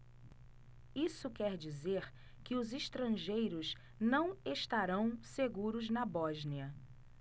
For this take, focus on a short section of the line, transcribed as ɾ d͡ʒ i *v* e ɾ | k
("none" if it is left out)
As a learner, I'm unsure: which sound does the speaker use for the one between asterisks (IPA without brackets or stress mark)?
z